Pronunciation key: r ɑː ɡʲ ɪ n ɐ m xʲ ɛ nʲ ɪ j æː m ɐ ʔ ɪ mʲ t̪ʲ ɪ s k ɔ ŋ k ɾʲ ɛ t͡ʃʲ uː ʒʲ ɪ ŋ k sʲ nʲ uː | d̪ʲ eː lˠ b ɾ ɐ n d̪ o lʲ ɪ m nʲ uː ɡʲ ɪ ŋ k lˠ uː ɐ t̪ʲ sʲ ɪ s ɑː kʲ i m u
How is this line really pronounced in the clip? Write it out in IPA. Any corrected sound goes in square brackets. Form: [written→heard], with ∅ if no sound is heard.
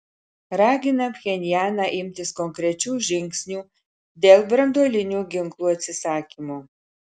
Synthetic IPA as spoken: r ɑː ɡʲ ɪ n ɐ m xʲ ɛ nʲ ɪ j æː [m→n] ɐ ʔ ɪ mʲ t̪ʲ ɪ s k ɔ ŋ k ɾʲ ɛ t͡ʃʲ uː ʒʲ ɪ ŋ k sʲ nʲ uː | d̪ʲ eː lˠ b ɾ ɐ n d̪ o lʲ ɪ [m→∅] nʲ uː ɡʲ ɪ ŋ k lˠ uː ɐ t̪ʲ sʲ ɪ s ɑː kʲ i m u